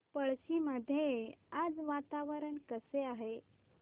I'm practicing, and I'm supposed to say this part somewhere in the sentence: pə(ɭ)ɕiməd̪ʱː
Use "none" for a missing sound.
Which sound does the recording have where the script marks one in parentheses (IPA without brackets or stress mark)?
ɭ